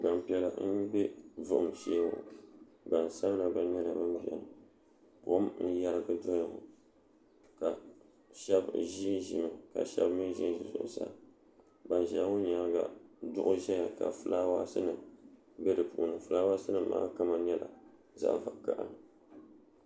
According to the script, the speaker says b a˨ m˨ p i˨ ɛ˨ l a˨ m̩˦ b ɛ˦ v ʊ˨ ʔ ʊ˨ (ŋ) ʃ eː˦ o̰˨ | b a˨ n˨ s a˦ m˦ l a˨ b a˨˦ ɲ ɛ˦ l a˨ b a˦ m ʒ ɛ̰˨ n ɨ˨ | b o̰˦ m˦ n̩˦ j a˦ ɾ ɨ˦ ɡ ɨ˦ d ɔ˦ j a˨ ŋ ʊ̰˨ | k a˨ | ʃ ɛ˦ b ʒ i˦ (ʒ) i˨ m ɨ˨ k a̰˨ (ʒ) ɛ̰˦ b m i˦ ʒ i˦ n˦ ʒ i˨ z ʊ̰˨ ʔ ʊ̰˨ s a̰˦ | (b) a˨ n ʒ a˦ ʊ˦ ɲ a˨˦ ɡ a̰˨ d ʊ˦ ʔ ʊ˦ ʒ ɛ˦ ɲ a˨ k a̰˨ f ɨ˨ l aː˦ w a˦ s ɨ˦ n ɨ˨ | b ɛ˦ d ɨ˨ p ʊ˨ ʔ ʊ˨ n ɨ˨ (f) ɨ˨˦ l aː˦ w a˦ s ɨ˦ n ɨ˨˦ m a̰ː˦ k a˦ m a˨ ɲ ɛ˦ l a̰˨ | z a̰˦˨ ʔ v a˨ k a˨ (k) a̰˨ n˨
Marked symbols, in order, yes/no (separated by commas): no, yes, no, yes, yes, no